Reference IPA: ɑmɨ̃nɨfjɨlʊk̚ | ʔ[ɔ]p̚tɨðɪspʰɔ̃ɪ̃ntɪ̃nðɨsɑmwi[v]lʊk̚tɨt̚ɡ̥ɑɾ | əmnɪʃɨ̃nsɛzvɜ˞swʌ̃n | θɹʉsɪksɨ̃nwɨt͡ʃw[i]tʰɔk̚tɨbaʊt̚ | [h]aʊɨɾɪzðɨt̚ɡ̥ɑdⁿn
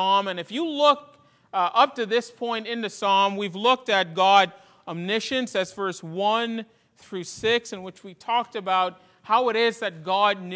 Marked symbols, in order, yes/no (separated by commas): no, yes, yes, yes